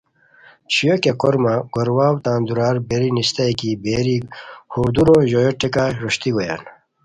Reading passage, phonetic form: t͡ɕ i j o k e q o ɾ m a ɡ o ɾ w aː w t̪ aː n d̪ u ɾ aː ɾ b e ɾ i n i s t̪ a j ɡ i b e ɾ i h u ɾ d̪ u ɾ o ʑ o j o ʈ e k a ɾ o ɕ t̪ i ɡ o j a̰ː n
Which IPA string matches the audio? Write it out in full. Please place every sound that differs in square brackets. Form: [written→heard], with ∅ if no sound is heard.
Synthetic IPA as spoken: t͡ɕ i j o k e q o ɾ m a ɡ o ɾ w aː w t̪ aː n d̪ u ɾ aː ɾ b e ɾ i n i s t̪ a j [ɡ→k] i b e ɾ i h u ɾ d̪ u ɾ o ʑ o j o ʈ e k a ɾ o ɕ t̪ i ɡ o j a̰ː n